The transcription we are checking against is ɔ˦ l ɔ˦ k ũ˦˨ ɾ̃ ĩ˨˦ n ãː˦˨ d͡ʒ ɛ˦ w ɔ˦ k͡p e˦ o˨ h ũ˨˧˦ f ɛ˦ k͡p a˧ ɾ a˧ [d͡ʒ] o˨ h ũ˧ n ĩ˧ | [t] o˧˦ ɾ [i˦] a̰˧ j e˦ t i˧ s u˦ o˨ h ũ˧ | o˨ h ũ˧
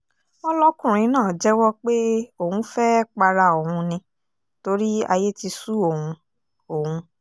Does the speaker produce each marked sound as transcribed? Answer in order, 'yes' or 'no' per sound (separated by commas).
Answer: no, yes, yes